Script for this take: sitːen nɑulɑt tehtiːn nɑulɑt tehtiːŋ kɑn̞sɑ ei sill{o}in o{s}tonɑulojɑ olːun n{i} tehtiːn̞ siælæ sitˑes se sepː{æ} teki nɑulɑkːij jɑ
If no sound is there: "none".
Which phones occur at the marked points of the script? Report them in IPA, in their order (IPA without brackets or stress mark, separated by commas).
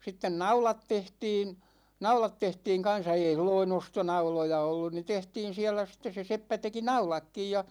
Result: o, s, i, æ